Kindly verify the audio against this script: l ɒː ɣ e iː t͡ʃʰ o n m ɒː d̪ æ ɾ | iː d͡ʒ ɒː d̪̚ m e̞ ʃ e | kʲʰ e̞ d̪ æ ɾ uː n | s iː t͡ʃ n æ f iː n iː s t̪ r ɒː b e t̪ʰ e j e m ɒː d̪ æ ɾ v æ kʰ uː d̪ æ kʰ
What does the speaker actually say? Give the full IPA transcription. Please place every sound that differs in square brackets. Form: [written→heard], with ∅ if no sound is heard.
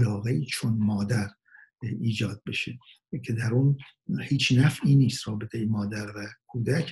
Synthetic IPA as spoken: l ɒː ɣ e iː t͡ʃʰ o n m ɒː d̪ æ ɾ | iː d͡ʒ ɒː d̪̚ [m→b] e̞ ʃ e | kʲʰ e̞ d̪ æ ɾ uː n | [s→h] iː t͡ʃ n æ f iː n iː s t̪ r ɒː b e t̪ʰ e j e m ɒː d̪ æ ɾ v æ kʰ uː d̪ æ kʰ